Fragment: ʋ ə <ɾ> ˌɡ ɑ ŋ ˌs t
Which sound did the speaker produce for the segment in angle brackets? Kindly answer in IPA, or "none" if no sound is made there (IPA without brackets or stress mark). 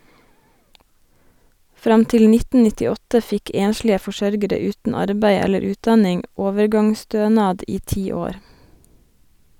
ɾ